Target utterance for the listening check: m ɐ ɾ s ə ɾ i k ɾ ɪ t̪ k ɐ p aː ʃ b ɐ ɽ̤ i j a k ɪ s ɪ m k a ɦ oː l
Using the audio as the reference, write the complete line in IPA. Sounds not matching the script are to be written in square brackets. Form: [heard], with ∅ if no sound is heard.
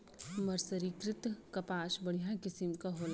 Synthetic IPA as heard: m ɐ ɾ s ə ɾ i k ɾ ɪ t̪ k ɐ p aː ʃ b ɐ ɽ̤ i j a k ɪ s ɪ m k a ɦ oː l